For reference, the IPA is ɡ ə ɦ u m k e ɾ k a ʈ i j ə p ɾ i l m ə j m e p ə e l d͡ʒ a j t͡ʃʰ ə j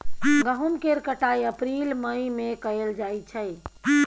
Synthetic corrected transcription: ɡ ə ɦ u m k e ɾ k ə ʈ a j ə p ɾ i l m ə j m e k ə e l d͡ʒ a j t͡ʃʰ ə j